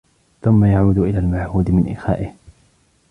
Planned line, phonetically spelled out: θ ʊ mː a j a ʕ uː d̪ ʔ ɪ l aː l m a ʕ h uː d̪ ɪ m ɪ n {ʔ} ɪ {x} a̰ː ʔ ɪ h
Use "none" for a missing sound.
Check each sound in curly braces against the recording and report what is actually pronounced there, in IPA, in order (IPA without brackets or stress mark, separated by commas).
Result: ʔ, x